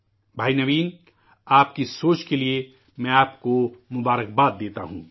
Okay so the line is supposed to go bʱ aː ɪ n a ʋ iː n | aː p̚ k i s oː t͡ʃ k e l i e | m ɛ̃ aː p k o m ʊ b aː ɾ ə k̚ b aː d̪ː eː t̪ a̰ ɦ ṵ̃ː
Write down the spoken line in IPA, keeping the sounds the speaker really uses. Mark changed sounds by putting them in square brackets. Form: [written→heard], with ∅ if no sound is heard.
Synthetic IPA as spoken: bʱ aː [ɪ→i] n [a→ɐ] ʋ iː n | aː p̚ k i s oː t͡ʃ k e l i e | m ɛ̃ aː p k o m ʊ b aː ɾ ə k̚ b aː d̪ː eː t̪ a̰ ɦ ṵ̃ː

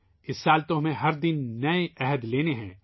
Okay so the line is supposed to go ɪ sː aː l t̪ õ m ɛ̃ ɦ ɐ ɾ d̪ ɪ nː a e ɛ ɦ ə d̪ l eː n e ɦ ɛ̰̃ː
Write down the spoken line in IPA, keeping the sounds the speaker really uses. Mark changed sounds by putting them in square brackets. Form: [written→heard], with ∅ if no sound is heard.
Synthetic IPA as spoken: ɪ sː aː l t̪ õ m [ɛ̃→ẽ] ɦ ɐ ɾ d̪ ɪ nː [a→ɐ] e ɛ ɦ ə d̪ l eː n e ɦ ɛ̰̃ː

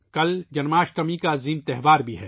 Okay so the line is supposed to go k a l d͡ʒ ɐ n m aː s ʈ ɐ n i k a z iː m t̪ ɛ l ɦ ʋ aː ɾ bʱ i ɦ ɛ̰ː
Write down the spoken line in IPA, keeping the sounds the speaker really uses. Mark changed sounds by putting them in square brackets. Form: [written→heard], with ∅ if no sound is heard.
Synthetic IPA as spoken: k [a→ɐ] l d͡ʒ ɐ n m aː [s→ʃ] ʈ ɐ [n→m] i k a z iː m t̪ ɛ [l→∅] ɦ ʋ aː ɾ bʱ i ɦ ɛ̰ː

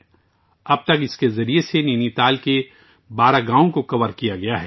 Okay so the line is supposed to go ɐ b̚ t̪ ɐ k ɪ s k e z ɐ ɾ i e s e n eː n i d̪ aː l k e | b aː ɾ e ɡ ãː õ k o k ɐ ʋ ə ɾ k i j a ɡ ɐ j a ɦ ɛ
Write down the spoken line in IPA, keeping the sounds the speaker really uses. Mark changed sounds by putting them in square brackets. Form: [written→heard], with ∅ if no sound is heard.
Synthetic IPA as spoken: ɐ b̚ t̪ ɐ k ɪ s k e z ɐ ɾ i e s e n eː n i [d̪→t̪] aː l k e | b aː ɾ [e→a] ɡ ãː õ k o k ɐ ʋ ə ɾ k i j a ɡ ɐ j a ɦ ɛ

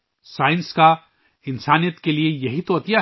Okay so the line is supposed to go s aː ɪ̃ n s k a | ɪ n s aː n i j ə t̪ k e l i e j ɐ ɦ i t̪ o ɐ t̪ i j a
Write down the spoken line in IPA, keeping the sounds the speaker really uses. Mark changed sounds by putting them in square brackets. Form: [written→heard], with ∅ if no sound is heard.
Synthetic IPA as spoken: s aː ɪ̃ n s k a | ɪ n s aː n i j ə t̪ k e l i e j ɐ ɦ i t̪ o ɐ t̪ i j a

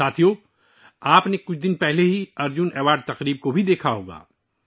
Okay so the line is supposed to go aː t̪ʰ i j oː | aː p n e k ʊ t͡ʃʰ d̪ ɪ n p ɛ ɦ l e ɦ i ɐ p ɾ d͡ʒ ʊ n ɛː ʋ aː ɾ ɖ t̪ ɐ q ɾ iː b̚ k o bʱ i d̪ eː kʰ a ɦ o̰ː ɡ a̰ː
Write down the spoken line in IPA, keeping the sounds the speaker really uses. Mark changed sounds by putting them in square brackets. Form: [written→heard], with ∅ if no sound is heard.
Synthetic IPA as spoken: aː t̪ʰ i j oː | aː p n e k ʊ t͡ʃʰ d̪ ɪ n p ɛ ɦ l e ɦ i ɐ [p→∅] ɾ d͡ʒ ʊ n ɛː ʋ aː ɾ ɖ t̪ ɐ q ɾ iː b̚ k o bʱ i d̪ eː kʰ a ɦ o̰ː ɡ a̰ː

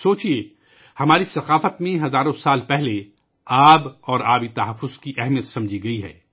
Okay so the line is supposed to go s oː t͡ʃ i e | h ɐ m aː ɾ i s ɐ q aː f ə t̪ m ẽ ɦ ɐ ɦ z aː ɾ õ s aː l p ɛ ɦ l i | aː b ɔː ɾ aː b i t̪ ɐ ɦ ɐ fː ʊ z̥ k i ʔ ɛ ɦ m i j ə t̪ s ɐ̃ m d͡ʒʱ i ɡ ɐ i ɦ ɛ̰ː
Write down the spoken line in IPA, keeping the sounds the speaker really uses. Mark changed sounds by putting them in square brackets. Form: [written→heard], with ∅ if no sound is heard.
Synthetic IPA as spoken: s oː t͡ʃ i e | h ɐ m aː ɾ i s ɐ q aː f ə t̪ m ẽ ɦ ɐ [ɦ→∅] z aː ɾ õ s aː l p ɛ ɦ l [i→e] | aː b ɔː ɾ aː b i t̪ ɐ ɦ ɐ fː ʊ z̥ k i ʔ ɛ ɦ m i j ə t̪ s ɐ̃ m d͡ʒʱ i ɡ ɐ i ɦ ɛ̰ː

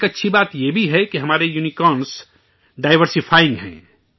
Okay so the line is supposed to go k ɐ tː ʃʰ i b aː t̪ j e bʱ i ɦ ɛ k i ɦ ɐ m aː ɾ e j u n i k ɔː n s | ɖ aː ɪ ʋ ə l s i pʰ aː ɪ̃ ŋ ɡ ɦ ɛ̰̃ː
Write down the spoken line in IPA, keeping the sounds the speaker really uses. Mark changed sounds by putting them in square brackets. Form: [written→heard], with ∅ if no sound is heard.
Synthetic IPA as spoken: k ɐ tː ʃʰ i b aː t̪ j e bʱ i ɦ ɛ k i ɦ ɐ m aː ɾ e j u n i k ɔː n s | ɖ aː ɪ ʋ ə [l→ɾ] s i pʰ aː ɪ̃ ŋ ɡ ɦ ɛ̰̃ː

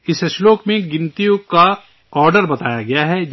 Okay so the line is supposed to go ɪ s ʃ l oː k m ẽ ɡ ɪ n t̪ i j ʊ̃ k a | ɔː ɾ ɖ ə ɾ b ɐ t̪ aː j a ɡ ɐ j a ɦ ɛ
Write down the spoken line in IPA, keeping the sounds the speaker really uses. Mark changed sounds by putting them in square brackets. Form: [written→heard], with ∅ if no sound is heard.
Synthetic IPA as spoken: ɪ s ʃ l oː k m ẽ ɡ ɪ n t̪ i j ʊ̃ k a | ɔː ɾ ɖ ə ɾ b ɐ t̪ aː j a ɡ ɐ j a ɦ ɛ

